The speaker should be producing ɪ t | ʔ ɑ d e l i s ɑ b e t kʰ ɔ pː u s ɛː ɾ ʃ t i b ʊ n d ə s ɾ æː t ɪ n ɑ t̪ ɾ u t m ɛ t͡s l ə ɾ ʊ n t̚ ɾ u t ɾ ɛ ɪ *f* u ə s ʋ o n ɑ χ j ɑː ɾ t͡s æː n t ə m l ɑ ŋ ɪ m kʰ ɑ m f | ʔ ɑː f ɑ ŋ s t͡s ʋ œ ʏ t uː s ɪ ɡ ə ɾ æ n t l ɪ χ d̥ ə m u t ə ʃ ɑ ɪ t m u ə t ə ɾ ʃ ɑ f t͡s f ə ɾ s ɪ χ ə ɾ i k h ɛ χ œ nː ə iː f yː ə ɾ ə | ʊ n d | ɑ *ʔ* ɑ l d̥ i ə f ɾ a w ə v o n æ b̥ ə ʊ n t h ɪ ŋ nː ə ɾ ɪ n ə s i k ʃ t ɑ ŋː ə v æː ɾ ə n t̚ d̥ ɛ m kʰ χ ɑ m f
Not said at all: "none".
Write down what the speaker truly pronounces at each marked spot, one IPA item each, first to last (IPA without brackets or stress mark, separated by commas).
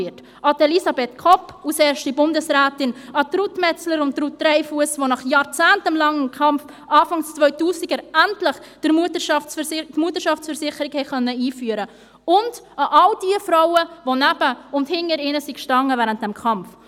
f, ʔ